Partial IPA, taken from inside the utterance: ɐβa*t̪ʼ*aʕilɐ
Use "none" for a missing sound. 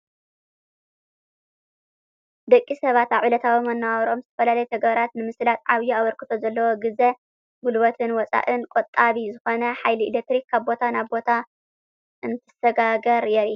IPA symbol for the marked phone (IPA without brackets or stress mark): t̪